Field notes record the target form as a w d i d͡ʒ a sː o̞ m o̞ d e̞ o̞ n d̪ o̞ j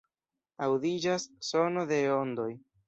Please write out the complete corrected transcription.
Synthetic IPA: a w d i d͡ʒ a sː o̞ n o̞ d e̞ o̞ n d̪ o̞ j